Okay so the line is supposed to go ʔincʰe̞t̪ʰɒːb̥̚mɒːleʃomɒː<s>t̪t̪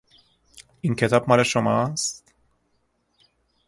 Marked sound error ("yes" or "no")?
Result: no